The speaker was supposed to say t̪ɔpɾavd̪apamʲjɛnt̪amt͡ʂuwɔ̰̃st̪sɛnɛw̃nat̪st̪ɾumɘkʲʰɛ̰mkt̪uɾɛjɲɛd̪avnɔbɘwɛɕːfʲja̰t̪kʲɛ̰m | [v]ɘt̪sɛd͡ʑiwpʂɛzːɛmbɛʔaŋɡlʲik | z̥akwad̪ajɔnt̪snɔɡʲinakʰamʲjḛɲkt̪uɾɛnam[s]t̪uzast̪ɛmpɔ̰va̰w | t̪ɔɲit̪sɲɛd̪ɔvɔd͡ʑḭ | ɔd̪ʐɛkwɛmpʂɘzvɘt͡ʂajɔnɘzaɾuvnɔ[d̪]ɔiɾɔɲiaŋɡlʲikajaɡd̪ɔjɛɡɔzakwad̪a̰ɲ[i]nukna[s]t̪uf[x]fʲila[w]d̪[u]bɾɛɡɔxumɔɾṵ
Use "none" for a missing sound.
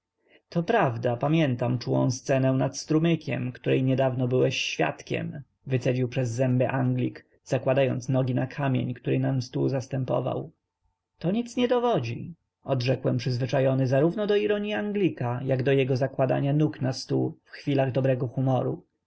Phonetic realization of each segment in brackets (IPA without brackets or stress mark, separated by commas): v, s, d̪, a, s, x, ɣ, ɔ